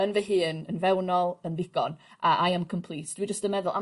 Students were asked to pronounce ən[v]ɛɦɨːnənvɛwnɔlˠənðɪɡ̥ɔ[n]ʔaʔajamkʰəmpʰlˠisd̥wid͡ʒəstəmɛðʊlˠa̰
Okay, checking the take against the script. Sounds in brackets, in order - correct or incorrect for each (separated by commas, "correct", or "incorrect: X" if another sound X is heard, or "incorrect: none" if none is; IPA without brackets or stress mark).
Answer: correct, correct